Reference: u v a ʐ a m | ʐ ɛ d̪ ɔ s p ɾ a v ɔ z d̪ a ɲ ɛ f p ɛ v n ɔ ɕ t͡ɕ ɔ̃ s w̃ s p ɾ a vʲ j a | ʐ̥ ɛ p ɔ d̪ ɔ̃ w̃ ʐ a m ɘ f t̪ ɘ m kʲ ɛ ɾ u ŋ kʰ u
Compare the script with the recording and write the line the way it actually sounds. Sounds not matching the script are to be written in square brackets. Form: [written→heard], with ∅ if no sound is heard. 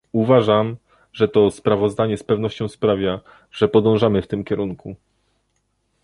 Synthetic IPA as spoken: u v a ʐ a m | ʐ ɛ [d̪→t̪] ɔ s p ɾ a v ɔ z d̪ a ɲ ɛ [f→s] p ɛ v n ɔ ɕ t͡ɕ ɔ̃ [s→∅] w̃ s p ɾ a vʲ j a | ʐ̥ ɛ p ɔ d̪ ɔ̃ w̃ ʐ a m ɘ f t̪ ɘ m kʲ ɛ ɾ u ŋ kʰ u

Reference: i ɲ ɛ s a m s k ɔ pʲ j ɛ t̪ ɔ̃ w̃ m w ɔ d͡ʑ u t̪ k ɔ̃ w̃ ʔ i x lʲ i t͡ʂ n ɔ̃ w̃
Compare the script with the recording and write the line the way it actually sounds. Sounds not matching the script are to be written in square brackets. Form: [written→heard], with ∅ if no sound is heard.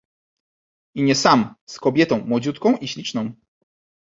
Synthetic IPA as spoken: i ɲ ɛ s a m s k ɔ [pʲ→bʲ] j ɛ t̪ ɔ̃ w̃ m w ɔ d͡ʑ u t̪ k ɔ̃ w̃ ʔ i [x→ɕ] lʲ i t͡ʂ n ɔ̃ w̃

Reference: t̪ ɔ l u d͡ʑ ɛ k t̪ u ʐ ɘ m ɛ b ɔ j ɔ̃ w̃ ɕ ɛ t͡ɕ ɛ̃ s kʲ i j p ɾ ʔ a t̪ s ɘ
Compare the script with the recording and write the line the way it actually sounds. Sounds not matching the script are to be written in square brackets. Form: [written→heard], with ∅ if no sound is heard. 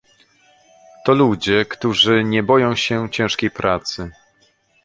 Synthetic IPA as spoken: t̪ ɔ l u d͡ʑ ɛ k t̪ u ʐ ɘ [m→ɲ] ɛ b ɔ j ɔ̃ w̃ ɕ ɛ t͡ɕ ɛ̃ [s→ʂ] kʲ [i→e] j p ɾ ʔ a t̪ s ɘ

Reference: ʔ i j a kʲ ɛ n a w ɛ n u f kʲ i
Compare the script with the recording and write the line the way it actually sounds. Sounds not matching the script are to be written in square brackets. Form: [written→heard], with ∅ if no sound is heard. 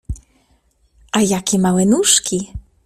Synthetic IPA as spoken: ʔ [i→a] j a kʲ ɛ [n→m] a w ɛ n u [f→ʂ] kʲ i

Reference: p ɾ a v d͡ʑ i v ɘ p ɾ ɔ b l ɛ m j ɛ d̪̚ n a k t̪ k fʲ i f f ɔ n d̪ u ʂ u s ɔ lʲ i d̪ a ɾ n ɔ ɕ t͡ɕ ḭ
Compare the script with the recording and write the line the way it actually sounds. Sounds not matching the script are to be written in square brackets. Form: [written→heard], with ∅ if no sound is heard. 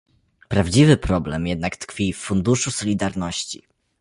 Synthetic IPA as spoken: p ɾ a v d͡ʑ i v ɘ p ɾ ɔ b l ɛ m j ɛ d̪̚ n a k t̪ k fʲ i f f [ɔ→u] n d̪ u ʂ u s ɔ lʲ i d̪ a ɾ n ɔ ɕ t͡ɕ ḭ

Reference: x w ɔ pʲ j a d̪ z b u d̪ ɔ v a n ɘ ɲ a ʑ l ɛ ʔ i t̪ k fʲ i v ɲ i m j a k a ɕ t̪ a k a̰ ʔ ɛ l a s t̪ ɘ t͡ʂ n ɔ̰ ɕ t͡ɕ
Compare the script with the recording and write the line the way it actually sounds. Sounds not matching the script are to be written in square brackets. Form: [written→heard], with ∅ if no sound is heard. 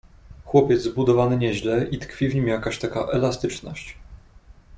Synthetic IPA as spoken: x w ɔ pʲ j [a→ɛ] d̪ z b u d̪ ɔ v a n ɘ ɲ [a→ɛ] ʑ l ɛ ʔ i t̪ k fʲ i v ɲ i m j a k a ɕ t̪ a k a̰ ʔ ɛ l a s t̪ ɘ t͡ʂ n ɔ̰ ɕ t͡ɕ

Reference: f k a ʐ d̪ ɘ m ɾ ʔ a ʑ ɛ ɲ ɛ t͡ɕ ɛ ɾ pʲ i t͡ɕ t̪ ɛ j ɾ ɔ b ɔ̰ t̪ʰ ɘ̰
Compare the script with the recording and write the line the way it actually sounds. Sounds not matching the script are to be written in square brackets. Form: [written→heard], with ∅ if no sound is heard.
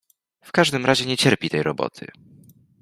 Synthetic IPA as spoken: f k a ʐ d̪ ɘ m ɾ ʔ a ʑ ɛ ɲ ɛ t͡ɕ ɛ ɾ pʲ i [t͡ɕ→∅] t̪ ɛ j ɾ ɔ b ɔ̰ t̪ʰ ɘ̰

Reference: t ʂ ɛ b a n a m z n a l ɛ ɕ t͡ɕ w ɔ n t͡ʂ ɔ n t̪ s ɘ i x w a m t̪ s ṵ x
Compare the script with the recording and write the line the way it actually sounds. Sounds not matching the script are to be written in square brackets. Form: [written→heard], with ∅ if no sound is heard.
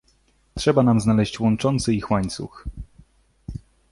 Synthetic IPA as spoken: t ʂ ɛ b a n a m z n a l ɛ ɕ t͡ɕ w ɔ n t͡ʂ ɔ n t̪ s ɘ i x w a [m→ɲ] t̪ s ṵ x

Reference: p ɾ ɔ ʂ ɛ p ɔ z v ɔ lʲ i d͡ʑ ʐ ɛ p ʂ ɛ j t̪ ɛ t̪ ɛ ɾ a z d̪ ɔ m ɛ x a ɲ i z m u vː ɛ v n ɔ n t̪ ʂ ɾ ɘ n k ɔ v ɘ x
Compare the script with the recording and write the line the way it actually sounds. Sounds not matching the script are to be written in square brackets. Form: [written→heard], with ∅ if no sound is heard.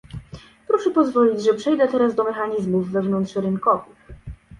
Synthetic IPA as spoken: p ɾ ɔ ʂ ɛ p ɔ z v ɔ lʲ i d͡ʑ ʐ ɛ p ʂ ɛ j [t̪→d̪] ɛ t̪ ɛ ɾ a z d̪ ɔ m ɛ x a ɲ i z m u vː ɛ v n ɔ n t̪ ʂ ɾ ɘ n k ɔ v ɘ x

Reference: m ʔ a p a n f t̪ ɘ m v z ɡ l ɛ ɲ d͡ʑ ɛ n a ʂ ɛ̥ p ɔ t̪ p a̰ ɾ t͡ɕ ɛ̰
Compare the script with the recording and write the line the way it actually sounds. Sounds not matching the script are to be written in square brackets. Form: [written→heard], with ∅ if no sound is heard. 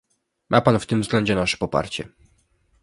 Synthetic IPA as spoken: m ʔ a p a n f t̪ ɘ m v z ɡ l ɛ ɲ d͡ʑ ɛ n a ʂ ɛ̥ p ɔ [t̪→∅] p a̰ ɾ t͡ɕ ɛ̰

